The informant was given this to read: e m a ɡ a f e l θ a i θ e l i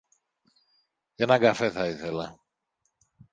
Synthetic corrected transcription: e n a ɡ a f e θ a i θ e l a

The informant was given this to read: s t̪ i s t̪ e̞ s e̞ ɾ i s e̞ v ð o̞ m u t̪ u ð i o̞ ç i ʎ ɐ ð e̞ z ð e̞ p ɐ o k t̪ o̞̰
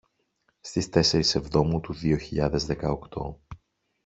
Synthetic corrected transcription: s t̪ i s t̪ e̞ s e̞ ɾ i s e̞ v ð o̞ m u t̪ u ð i o̞ ç i ʎ ɐ ð e̞ z ð e̞ k ɐ o k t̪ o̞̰

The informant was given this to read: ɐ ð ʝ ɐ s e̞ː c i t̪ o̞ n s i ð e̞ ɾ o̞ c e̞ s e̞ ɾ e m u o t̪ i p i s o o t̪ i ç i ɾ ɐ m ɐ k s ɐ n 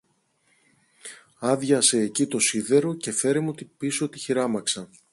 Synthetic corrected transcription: ɐ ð ʝ ɐ s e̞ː c i t̪ o̞ s i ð e̞ ɾ o̞ c e̞ f e̞ ɾ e m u o t̪ i p i s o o t̪ i ç i ɾ ɐ m ɐ k s ɐ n

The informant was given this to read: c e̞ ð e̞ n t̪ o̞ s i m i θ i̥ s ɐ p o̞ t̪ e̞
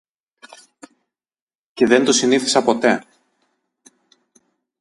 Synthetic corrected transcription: c e̞ ð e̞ n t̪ o̞ s i n i θ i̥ s ɐ p o̞ t̪ e̞

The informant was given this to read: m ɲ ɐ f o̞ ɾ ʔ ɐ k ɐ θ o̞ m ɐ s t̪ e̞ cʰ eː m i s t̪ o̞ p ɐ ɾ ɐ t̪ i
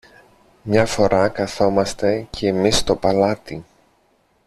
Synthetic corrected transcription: m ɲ ɐ f o̞ ɾ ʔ ɐ k ɐ θ o̞ m ɐ s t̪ e̞ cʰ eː m i s t̪ o̞ p ɐ l ɐ t̪ i

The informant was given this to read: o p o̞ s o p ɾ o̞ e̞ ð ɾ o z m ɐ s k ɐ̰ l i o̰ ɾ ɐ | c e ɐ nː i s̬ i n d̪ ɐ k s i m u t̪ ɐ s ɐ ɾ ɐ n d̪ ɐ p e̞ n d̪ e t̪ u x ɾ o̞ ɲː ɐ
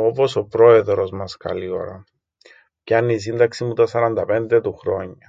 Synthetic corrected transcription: o p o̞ s o p ɾ o̞ e̞ ð ɾ o z m ɐ s k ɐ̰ l i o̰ ɾ ɐ | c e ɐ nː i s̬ i n d̪ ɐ k s i m u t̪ ɐ s ɐ ɾ ɐ n d̪ ɐ p e̞ n d̪ e t̪ u x ɾ o̞ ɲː ɐ

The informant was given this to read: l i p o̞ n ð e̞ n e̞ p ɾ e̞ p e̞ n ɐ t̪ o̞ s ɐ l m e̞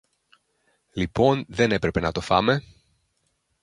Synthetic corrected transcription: l i p o̞ n ð e̞ n e̞ p ɾ e̞ p e̞ n ɐ t̪ o̞ f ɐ m e̞

